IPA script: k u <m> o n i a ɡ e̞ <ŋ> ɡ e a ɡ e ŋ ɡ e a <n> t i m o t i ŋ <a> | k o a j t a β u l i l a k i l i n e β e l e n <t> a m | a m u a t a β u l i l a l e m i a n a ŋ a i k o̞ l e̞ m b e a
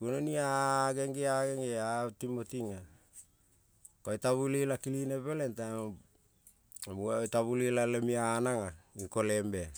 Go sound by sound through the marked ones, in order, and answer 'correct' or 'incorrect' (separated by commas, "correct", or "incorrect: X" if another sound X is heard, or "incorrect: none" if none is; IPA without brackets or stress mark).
incorrect: n, correct, incorrect: none, correct, correct